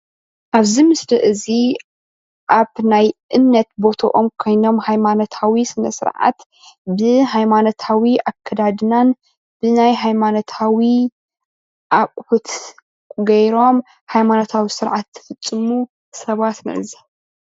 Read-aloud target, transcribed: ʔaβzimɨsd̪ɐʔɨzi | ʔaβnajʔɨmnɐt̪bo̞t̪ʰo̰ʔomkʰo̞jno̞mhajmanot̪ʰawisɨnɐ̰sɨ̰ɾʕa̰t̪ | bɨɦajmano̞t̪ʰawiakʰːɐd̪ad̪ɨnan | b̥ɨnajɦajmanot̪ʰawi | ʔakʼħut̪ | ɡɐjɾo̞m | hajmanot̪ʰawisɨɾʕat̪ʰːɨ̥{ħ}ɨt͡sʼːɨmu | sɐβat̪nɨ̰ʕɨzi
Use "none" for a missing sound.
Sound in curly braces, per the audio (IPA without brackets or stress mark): f